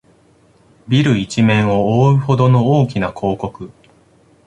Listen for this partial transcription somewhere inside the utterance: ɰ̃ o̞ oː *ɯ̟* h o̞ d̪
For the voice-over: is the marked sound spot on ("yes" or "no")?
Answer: yes